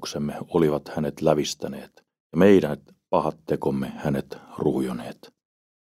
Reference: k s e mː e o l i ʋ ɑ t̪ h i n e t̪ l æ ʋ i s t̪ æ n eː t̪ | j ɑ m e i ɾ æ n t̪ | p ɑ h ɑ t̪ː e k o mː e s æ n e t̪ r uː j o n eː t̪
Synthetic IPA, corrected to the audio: k s e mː e o l i ʋ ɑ t̪ h æ n e t̪ l æ ʋ i s t̪ æ n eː t̪ | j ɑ m e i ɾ æ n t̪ | p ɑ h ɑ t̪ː e k o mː e h æ n e t̪ r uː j o n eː t̪